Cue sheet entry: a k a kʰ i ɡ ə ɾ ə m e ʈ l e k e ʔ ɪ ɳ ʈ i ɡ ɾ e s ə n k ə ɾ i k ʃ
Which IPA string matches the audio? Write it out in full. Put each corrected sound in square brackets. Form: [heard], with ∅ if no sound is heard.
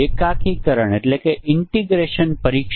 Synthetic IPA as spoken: [e] k a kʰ i [k] ə ɾ ə [ɳ] e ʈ l e k e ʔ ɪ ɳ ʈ i ɡ ɾ e [ʃ] ə n [p] ə ɾ i k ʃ